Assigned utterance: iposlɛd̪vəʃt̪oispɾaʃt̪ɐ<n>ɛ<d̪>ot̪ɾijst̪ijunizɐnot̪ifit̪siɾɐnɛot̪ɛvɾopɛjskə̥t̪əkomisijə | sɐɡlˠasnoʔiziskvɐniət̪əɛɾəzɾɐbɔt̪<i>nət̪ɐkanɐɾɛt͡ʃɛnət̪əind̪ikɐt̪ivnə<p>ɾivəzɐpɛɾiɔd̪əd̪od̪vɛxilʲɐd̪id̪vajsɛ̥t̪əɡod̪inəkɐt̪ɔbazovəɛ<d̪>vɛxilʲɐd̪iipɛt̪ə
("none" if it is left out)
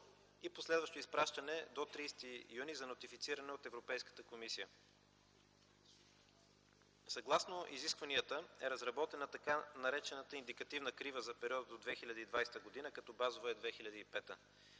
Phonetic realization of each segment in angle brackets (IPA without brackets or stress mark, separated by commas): n, d̪, ɛ, k, d̪